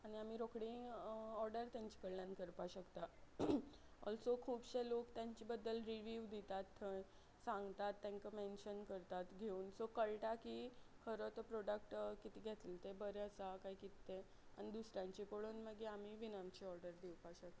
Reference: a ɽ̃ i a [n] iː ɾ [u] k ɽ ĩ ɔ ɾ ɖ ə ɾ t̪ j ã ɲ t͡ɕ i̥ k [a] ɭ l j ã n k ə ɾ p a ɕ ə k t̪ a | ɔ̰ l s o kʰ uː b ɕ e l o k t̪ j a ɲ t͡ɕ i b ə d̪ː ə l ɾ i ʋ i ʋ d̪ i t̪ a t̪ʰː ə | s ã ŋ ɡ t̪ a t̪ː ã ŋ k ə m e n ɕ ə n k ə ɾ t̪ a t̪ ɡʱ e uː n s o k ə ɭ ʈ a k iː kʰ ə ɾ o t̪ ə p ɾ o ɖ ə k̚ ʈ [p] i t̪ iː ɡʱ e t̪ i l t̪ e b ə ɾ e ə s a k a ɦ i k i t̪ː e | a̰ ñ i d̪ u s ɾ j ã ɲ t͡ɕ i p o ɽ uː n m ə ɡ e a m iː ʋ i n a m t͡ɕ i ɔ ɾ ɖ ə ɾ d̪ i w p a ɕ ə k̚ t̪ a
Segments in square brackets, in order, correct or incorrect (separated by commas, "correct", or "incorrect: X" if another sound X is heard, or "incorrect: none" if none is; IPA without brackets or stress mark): incorrect: m, incorrect: o, incorrect: ə, incorrect: k